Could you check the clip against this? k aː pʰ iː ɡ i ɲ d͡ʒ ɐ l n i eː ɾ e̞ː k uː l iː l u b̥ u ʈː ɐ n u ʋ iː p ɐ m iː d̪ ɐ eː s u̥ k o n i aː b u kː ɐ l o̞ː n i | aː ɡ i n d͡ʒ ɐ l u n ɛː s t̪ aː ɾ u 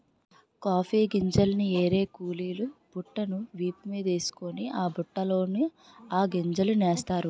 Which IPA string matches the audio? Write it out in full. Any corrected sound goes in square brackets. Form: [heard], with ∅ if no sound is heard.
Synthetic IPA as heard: k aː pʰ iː ɡ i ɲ d͡ʒ ɐ l n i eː ɾ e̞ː k uː l iː l u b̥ u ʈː ɐ n u ʋ iː p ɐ m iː d̪ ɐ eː s u̥ k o n i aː b u [ʈː] ɐ l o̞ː n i | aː ɡ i [ɲ] d͡ʒ ɐ l u n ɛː s t̪ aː ɾ u